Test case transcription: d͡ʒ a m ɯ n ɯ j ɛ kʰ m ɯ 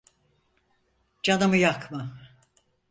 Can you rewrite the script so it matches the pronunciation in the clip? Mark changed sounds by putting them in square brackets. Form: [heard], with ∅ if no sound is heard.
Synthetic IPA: d͡ʒ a [n] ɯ [m] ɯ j [a] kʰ m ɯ